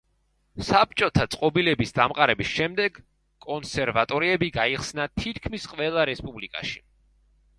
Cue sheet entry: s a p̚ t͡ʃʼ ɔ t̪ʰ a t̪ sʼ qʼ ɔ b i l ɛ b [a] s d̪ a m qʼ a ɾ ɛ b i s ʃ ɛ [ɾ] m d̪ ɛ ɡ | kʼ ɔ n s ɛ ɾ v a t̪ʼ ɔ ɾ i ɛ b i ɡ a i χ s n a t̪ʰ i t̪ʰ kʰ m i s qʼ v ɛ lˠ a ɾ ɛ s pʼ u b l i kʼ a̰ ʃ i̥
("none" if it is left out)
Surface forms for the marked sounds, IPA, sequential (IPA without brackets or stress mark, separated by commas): i, none